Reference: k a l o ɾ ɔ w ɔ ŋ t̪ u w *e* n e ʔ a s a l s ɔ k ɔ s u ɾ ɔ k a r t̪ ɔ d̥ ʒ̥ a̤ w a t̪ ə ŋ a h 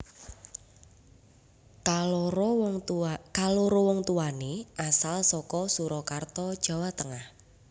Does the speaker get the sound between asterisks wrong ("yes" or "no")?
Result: yes